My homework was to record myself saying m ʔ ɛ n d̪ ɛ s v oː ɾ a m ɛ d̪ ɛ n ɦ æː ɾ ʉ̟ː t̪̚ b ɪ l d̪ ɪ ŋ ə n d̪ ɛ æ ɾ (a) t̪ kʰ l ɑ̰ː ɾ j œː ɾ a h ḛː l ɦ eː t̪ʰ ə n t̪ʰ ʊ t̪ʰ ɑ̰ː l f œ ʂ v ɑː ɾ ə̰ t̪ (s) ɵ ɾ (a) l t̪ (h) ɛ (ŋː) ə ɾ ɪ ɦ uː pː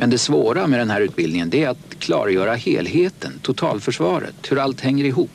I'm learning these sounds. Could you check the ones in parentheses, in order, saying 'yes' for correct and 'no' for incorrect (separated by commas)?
yes, no, yes, yes, yes